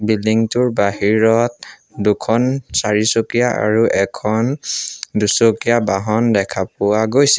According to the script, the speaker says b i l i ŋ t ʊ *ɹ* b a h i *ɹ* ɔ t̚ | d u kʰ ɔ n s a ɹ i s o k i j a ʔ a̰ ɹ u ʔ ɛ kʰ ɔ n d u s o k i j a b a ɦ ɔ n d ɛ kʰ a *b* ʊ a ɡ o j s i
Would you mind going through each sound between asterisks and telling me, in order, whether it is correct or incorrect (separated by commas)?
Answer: correct, correct, incorrect